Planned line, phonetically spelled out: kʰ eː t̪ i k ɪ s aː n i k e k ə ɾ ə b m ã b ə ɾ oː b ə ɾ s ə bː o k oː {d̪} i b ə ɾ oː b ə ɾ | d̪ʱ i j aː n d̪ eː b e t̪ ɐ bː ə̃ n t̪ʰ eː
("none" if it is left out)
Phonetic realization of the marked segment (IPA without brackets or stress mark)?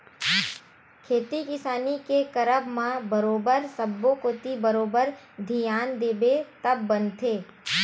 t̪